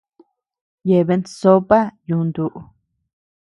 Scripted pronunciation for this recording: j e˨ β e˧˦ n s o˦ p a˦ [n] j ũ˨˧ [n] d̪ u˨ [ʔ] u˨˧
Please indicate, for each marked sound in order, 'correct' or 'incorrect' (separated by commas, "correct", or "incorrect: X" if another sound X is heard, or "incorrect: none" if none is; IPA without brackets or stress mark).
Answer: incorrect: none, correct, correct